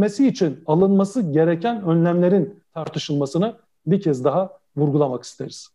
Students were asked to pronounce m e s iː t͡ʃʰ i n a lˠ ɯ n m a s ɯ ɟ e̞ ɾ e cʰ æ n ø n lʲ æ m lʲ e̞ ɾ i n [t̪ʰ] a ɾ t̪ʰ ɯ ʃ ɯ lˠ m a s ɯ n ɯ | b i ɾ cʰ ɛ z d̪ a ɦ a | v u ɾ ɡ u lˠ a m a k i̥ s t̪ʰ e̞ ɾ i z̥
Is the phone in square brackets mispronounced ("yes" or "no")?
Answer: no